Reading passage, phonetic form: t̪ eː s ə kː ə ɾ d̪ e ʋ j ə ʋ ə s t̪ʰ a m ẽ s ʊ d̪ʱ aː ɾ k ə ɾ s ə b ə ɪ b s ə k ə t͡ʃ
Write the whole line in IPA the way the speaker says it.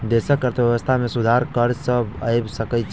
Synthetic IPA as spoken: d̪ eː s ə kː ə ɾ t̪ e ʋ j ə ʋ ə s t̪ʰ a m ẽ s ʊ d̪ʱ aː ɾ k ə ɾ s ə b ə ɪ b s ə k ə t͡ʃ